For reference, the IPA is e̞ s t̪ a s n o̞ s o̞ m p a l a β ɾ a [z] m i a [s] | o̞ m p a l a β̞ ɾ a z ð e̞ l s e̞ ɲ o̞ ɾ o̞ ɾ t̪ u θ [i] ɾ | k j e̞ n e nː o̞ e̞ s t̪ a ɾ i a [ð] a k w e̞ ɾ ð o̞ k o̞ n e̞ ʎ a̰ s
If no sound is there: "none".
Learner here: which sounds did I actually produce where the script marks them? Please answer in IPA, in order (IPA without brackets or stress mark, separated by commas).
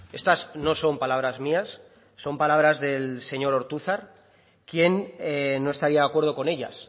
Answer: z, sː, a, ð